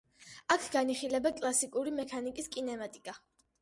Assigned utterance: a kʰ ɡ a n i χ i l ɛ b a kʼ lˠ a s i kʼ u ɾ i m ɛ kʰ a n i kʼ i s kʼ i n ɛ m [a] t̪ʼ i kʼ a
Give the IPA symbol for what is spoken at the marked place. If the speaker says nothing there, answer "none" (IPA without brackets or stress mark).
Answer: a